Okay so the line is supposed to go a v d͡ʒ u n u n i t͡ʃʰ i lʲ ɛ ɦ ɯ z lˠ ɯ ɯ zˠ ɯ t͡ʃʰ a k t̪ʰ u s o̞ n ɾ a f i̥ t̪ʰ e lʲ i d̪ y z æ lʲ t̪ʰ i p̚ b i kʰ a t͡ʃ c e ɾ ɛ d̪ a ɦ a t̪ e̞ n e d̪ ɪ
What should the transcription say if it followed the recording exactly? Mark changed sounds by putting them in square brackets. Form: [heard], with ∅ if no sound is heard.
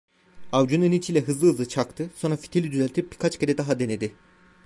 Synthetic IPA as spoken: a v d͡ʒ u n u n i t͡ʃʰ i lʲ ɛ ɦ ɯ z lˠ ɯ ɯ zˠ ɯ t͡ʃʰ a k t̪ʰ [ɯ] s o̞ n ɾ a f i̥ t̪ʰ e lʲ i d̪ y z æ lʲ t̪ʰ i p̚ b i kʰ a t͡ʃ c e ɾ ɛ d̪ a ɦ a [d̪] e̞ n e d̪ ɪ